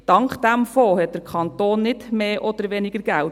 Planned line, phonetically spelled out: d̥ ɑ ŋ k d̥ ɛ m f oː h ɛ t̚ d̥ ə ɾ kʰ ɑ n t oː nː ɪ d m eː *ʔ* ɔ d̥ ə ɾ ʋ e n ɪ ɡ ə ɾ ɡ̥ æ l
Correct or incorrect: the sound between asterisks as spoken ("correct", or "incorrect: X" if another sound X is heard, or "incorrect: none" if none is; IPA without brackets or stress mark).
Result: correct